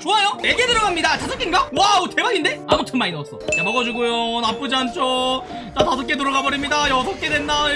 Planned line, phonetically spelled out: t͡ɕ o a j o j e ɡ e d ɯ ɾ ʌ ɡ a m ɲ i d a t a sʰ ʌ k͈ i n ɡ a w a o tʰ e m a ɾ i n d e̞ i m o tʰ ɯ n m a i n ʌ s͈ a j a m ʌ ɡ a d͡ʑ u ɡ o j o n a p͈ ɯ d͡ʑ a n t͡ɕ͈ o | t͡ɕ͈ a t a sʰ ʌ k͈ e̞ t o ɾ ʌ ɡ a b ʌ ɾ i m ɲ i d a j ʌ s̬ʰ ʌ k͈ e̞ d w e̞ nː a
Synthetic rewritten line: t͡ɕ o a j o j e ɡ e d ɯ ɾ ʌ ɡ a m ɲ i d a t a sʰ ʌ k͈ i n ɡ a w a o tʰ e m a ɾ i n d e̞ a m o tʰ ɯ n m a i n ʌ s͈ ʌ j a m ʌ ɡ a d͡ʑ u ɡ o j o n a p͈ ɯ d͡ʑ a n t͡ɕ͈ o | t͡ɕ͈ a t a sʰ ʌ k͈ e̞ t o ɾ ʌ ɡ a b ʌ ɾ i m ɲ i d a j ʌ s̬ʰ ʌ k͈ e̞ d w e̞ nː a